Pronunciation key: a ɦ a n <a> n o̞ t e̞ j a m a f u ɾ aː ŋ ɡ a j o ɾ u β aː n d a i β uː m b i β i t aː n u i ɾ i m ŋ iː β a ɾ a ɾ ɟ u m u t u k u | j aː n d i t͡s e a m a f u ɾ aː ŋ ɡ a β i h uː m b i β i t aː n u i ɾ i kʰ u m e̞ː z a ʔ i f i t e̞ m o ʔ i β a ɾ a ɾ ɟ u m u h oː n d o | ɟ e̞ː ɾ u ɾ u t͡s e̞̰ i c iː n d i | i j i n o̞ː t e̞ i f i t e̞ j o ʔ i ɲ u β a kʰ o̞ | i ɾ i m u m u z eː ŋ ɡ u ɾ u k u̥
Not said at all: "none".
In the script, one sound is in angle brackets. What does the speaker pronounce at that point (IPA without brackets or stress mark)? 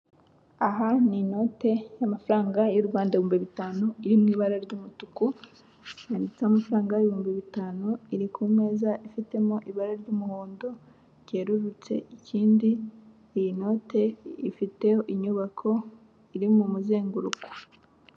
i